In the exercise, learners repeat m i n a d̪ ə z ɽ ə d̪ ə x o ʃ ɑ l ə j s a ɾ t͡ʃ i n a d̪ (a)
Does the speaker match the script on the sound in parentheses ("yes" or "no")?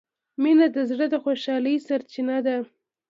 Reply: yes